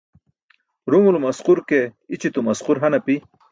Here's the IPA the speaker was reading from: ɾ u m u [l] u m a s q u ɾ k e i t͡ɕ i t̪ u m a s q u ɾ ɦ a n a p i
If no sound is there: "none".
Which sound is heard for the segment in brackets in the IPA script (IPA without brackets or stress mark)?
l